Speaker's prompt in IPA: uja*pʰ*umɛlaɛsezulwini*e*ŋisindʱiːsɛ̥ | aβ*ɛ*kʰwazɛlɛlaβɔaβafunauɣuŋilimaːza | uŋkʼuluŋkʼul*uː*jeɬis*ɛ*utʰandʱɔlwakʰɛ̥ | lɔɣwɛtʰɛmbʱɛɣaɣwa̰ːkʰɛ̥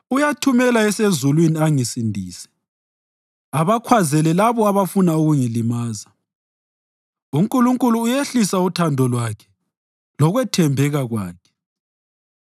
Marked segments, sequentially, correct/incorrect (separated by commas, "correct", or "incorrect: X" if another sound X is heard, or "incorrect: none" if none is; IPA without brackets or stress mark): incorrect: tʰ, incorrect: a, incorrect: a, correct, incorrect: a